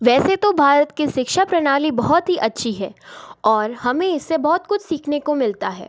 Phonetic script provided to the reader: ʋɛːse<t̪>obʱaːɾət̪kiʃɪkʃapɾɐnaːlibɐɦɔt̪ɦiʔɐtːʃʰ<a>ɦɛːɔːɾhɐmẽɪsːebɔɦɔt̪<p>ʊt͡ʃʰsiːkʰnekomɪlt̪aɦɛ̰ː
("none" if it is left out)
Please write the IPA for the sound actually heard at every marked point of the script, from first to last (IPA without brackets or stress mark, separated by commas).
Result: t̪, i, k